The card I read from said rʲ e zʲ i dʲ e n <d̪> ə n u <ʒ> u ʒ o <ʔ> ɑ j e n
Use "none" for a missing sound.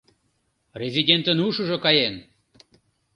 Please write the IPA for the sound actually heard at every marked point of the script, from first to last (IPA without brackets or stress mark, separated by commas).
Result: t̪, ʃ, k